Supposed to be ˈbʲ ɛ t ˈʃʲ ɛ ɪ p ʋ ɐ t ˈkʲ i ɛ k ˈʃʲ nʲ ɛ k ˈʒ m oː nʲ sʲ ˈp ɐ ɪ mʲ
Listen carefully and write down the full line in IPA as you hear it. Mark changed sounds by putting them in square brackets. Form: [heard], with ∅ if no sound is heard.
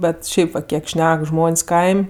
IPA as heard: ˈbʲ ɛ t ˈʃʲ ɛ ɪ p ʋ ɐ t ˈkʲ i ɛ k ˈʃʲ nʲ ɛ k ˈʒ m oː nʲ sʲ [ˈk] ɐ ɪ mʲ